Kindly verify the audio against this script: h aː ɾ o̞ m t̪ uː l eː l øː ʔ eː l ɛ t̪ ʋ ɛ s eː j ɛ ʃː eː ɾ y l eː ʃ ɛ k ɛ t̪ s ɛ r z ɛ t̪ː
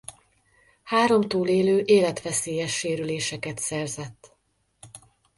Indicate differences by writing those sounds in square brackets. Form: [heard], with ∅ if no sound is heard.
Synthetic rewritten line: h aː ɾ o̞ m t̪ uː l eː l øː ʔ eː l ɛ t̪ ʋ ɛ s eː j ɛ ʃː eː ɾ y l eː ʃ ɛ k ɛ t̪ s ɛ r z ɛ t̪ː